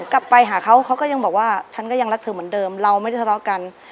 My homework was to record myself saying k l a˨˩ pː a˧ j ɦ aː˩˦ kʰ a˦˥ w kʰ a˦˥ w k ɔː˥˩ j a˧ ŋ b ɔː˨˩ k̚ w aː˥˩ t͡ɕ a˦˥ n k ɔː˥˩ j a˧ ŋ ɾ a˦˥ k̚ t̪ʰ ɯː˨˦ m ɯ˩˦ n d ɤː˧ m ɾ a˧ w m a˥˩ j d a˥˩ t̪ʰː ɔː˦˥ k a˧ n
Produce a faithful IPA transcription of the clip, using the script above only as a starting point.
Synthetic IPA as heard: k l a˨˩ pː a˧ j ɦ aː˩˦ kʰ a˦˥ w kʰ a˦˥ w k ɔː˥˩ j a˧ ŋ b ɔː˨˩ k̚ w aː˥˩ t͡ɕʰ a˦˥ n k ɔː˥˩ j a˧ ŋ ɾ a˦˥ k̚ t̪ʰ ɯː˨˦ m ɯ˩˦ n d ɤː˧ m ɾ a˧ w m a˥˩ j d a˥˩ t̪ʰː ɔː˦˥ k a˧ n